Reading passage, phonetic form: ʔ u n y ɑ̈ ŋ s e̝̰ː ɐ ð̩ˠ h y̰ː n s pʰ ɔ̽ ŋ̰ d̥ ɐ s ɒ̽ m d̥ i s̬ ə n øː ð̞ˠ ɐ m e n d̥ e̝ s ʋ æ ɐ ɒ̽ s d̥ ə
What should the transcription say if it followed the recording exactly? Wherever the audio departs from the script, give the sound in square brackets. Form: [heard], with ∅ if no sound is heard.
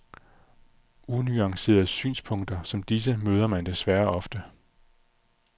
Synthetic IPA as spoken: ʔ u n y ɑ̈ ŋ s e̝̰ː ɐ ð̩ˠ [s] y̰ː n s pʰ ɔ̽ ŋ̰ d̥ ɐ s ɒ̽ m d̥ i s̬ ə [m] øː ð̞ˠ ɐ m [æ] n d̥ e̝ s ʋ æ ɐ ɒ̽ [f] d̥ ə